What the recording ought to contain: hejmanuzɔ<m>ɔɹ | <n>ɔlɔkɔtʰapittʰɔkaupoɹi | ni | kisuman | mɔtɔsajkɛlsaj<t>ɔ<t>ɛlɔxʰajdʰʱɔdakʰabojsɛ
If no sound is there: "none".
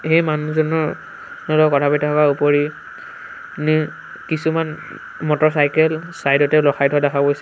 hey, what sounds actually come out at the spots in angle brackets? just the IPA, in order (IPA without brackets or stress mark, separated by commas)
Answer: n, n, d, t